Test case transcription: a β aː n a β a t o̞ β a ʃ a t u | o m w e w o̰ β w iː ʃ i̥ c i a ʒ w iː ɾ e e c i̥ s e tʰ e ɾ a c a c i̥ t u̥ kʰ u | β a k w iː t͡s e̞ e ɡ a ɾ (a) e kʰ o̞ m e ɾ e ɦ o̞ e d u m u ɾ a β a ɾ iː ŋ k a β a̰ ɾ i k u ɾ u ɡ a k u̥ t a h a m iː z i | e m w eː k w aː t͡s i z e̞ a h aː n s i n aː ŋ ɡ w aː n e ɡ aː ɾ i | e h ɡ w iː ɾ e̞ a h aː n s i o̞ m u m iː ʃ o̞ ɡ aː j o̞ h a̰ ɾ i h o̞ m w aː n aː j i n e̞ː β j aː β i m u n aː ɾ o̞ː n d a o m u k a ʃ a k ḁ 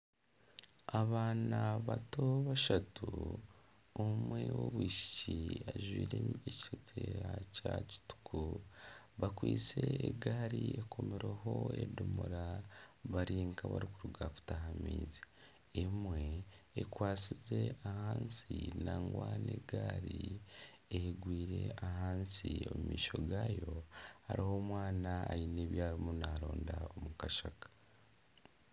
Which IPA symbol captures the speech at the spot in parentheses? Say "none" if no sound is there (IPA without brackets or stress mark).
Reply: i